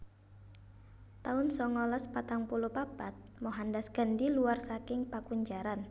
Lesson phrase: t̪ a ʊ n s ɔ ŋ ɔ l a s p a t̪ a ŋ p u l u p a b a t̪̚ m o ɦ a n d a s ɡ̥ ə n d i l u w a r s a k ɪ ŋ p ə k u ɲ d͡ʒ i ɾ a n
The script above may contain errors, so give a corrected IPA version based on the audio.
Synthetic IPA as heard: t̪ a ʊ n s ɔ ŋ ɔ l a s p a t̪ a ŋ p u l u p a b a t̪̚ m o ɦ a n d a s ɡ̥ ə n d i l u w a r s a k ɪ ŋ p a k u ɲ d͡ʒ a ɾ a n